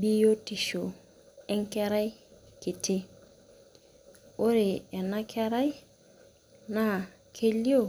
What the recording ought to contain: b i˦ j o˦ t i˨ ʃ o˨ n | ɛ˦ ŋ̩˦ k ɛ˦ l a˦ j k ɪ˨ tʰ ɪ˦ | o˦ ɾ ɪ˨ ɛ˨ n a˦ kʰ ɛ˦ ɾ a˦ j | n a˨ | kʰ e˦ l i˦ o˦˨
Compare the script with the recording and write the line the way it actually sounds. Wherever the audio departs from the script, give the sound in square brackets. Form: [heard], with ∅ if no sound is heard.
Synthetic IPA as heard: b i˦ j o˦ t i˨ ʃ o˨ [∅] | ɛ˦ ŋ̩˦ k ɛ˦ [ɾ] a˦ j k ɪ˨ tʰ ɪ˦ | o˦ ɾ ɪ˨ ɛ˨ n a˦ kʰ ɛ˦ ɾ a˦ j | n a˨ | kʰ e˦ l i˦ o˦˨